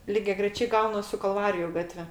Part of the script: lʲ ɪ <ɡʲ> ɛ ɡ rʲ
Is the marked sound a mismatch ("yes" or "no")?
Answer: no